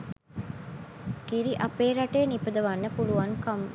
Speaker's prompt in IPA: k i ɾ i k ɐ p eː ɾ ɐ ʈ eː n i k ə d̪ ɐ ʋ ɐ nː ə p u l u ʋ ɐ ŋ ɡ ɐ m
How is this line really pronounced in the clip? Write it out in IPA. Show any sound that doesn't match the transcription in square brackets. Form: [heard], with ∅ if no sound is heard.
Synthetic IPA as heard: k i ɾ i [ʔ] ɐ p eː ɾ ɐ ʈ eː n i [p] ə d̪ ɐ ʋ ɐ nː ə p u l u ʋ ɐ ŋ [k] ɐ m

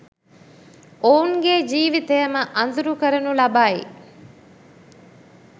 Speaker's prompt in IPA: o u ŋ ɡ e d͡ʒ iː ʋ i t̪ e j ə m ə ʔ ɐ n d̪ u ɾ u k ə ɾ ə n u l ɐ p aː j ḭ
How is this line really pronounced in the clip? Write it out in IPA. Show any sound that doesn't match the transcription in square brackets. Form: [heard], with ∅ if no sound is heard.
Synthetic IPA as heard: o u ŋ ɡ e d͡ʒ iː ʋ i t̪ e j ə m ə ʔ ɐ n d̪ u ɾ u k ə ɾ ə n u l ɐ [b] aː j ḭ

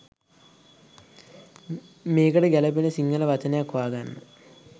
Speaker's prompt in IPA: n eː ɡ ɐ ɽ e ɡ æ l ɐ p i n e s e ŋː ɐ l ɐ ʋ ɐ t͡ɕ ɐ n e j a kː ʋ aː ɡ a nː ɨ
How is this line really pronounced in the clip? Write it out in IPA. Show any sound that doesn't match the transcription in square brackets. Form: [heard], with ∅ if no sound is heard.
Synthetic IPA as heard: [m] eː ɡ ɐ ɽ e ɡ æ l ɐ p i n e s [i] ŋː ɐ l ɐ ʋ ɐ t͡ɕ ɐ n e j a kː ʋ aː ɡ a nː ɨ

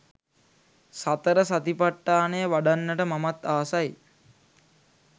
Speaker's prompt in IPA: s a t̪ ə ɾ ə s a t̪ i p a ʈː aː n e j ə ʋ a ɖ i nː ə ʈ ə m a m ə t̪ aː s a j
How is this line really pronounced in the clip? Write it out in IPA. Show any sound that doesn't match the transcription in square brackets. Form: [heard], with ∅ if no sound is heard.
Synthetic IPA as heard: s a t̪ ə ɾ ə s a t̪ i p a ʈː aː n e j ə ʋ a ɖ [a] nː ə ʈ ə m a m [a] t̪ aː s a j

